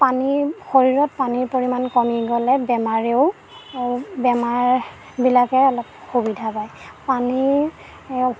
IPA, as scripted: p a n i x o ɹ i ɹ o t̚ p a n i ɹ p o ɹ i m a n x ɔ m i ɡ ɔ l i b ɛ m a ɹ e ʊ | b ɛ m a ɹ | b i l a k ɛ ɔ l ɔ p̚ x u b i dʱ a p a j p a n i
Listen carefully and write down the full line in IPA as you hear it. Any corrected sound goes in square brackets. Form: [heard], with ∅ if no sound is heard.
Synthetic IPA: p a n i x o ɹ i ɹ [ɔ] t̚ p a n i ɹ p o ɹ i m a n [k] ɔ m i ɡ ɔ l [ɛ] b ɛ m a ɹ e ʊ | b ɛ m a ɹ | b i l a k ɛ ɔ l ɔ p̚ x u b i dʱ a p a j p a n i